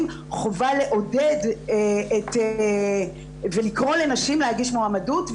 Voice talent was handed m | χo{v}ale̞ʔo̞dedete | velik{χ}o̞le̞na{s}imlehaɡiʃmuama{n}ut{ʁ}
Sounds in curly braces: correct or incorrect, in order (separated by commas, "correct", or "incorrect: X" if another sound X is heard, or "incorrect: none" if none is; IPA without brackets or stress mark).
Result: correct, incorrect: ʁ, incorrect: ʃ, incorrect: d, incorrect: v